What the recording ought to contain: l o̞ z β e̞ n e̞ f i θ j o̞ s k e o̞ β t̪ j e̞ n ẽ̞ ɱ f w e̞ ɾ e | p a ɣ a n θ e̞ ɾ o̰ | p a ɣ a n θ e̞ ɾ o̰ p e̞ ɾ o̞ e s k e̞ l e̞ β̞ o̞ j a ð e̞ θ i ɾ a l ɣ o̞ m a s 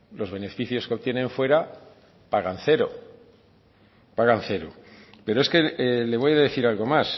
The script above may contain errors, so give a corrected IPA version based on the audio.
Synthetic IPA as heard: l o̞ z β e̞ n e̞ f i θ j o̞ s k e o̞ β t̪ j e̞ n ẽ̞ ɱ f w e̞ ɾ a | p a ɣ a n θ e̞ ɾ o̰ | p a ɣ a n θ e̞ ɾ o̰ p e̞ ɾ o̞ e s k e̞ l e̞ β̞ o̞ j a ð e̞ θ i ɾ a l ɣ o̞ m a s